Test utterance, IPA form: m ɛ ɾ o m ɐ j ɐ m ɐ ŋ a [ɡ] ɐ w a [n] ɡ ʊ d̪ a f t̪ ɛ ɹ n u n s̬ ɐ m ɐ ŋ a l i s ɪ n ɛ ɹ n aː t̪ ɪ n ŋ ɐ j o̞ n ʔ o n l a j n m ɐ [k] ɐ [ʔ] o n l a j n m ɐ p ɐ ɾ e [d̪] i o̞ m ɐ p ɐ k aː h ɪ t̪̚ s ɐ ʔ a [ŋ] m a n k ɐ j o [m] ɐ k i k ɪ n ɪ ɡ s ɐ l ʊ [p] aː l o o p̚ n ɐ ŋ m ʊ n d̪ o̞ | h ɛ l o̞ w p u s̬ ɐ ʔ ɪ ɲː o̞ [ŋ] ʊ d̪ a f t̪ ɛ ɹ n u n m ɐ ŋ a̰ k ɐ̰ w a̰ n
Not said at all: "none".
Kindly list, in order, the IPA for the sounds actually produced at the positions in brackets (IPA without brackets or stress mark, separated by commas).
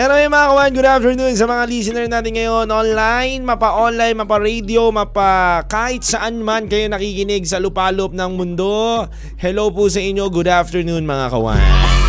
k, n, p, ʔ, d̪, n, n, p, ɡ